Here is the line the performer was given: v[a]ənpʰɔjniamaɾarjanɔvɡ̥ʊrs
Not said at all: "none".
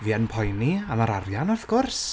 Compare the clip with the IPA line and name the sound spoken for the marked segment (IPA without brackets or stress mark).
i